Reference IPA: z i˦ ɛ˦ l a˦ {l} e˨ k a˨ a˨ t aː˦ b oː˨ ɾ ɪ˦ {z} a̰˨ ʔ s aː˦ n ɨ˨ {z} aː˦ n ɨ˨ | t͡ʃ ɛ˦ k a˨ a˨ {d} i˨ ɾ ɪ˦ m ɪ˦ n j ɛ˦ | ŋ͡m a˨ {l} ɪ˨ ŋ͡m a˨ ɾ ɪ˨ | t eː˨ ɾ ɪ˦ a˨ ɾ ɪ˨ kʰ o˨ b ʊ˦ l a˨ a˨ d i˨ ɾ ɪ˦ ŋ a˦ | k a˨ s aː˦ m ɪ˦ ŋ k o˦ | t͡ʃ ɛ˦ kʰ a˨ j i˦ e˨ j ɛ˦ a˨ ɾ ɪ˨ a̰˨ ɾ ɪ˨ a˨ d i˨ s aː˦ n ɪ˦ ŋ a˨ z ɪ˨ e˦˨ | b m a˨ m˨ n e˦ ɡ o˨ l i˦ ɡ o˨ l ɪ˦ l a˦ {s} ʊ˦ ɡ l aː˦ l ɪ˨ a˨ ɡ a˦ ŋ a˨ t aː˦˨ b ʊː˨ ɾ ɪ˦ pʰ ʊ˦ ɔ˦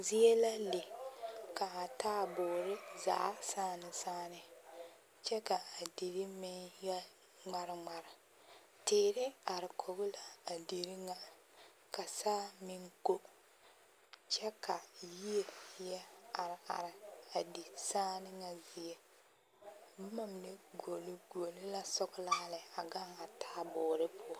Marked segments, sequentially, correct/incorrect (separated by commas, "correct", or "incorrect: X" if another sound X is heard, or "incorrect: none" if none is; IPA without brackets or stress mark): correct, correct, incorrect: s, correct, incorrect: ɾ, correct